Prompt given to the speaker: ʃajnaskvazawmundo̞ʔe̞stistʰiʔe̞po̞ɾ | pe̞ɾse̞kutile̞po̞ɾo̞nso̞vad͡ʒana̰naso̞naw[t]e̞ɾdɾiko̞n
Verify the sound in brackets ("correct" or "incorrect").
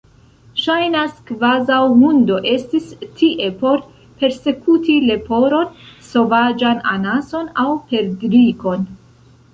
incorrect